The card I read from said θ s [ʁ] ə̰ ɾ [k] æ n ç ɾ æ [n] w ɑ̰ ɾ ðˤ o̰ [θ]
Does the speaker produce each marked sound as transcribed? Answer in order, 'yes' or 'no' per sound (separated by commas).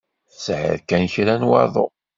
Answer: no, yes, yes, no